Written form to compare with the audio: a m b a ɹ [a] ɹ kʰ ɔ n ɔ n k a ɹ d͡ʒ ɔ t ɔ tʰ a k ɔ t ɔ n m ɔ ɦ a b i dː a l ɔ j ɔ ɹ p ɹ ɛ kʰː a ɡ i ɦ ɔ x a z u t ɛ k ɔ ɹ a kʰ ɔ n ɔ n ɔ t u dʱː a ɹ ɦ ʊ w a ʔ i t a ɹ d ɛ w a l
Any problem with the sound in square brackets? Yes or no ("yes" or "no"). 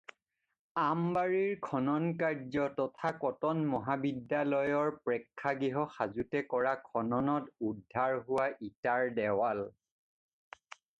yes